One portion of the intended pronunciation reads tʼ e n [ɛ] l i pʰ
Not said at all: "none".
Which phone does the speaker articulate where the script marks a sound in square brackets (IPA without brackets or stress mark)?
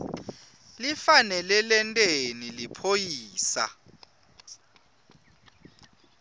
i